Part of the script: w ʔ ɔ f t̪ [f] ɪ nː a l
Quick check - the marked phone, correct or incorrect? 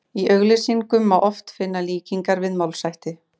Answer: correct